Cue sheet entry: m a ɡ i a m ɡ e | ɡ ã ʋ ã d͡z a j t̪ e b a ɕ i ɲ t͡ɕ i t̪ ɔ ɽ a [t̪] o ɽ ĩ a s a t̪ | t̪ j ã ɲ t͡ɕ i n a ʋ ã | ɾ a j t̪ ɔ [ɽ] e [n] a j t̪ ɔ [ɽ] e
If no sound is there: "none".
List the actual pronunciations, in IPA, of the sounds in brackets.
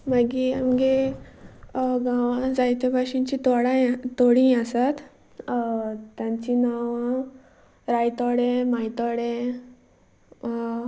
t̪, ɽ, m, ɽ

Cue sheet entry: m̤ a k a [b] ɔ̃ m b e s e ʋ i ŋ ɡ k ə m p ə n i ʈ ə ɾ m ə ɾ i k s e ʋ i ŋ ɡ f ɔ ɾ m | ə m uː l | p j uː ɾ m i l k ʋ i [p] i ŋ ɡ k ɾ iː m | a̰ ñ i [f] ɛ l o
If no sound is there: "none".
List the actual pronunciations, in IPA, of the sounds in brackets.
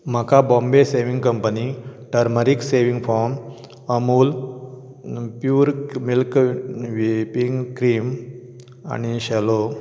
b, p, ɕ

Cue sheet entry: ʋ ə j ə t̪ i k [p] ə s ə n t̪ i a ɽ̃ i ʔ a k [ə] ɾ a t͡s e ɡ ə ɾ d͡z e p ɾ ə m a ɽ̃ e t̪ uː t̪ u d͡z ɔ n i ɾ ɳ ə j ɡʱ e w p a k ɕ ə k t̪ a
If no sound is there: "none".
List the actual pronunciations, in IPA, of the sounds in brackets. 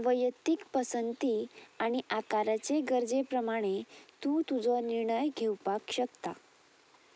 p, a

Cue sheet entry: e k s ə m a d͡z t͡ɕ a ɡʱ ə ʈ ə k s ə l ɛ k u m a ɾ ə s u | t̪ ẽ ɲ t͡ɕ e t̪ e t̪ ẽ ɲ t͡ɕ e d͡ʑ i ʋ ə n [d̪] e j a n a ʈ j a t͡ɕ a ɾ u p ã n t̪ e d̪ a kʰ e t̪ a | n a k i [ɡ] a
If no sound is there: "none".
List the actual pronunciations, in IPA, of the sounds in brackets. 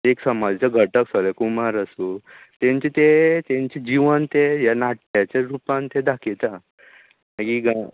t̪, ɡ

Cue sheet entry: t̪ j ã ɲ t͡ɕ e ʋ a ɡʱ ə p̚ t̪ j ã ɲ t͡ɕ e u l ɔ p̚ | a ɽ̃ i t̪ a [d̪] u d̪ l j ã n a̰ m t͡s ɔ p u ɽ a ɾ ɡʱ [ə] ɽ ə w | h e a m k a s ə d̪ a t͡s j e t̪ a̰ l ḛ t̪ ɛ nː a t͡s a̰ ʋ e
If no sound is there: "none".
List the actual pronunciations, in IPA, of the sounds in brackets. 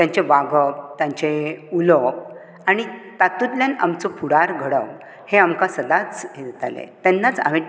t̪, ə

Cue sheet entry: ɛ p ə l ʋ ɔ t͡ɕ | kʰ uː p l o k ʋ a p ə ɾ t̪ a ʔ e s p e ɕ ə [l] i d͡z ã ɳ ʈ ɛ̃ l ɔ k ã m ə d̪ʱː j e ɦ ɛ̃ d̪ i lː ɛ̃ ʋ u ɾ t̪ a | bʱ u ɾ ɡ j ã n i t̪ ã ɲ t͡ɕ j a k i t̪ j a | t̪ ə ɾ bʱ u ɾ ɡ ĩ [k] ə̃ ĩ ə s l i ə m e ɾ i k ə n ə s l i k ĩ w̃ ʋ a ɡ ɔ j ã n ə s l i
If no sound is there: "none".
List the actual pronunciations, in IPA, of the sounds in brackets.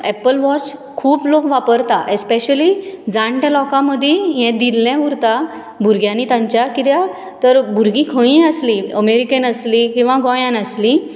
l, kʰ

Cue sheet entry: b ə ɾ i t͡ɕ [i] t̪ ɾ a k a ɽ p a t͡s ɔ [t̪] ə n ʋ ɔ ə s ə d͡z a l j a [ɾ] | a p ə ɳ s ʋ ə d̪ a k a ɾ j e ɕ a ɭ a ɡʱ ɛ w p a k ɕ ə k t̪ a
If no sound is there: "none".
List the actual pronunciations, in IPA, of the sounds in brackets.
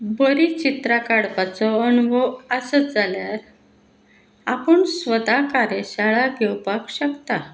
i, none, ɾ

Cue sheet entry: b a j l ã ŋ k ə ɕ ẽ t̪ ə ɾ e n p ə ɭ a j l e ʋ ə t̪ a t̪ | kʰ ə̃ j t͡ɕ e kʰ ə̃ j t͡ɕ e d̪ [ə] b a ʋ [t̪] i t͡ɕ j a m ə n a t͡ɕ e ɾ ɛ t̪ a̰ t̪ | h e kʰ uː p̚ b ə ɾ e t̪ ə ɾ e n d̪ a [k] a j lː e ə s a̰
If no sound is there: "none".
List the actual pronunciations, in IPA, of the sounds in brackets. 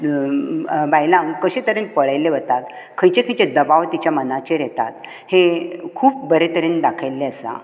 ə, t̪, kʰ

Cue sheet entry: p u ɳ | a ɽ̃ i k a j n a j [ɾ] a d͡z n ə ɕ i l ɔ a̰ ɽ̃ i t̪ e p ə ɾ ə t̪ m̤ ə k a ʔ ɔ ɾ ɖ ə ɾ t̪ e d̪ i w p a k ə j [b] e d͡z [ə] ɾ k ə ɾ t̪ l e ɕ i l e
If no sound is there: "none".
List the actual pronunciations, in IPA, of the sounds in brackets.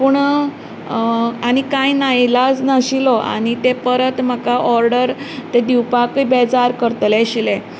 l, b, a

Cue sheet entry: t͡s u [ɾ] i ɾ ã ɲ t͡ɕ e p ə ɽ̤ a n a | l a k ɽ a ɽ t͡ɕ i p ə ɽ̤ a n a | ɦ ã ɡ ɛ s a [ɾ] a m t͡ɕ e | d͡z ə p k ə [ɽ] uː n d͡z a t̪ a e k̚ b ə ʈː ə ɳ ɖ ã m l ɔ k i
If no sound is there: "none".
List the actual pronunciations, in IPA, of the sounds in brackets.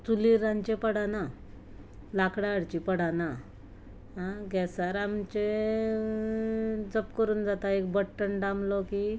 l, ɾ, ɾ

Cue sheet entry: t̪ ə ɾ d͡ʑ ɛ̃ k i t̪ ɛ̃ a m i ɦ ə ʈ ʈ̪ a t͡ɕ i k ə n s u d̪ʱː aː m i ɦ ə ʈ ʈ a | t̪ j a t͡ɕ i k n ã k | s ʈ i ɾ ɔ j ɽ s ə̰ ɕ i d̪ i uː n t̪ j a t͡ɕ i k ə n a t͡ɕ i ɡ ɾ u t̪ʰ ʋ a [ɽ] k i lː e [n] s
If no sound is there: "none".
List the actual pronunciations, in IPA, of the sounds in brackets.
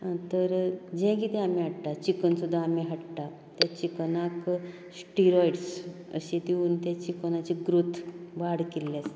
ɽ, none

